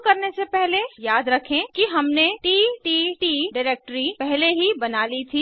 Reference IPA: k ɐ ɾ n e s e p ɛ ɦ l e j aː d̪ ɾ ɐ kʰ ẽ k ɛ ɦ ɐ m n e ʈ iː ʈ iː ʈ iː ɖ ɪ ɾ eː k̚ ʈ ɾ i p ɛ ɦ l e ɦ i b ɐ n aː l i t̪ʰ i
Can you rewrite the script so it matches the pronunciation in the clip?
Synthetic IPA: k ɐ ɾ n e s e p ɛ ɦ l e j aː d̪ ɾ ɐ kʰ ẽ k i ɦ ɐ m n e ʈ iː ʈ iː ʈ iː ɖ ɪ ɾ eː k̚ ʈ ɾ i p ɛ ɦ l e ɦ i b ɐ n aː l i t̪ʰ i